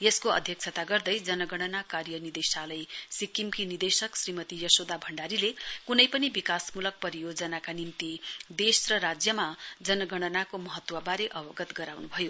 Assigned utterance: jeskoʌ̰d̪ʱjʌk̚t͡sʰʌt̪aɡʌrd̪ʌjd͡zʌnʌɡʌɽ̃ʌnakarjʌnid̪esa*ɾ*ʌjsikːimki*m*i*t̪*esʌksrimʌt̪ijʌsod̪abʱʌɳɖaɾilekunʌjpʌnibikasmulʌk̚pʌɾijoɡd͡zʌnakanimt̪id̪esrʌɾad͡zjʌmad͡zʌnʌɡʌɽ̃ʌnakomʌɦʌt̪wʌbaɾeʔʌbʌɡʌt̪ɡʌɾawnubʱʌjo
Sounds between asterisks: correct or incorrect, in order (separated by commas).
incorrect, incorrect, incorrect